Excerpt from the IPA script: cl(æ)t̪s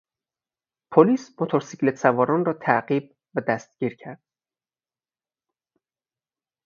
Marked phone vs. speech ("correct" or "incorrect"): incorrect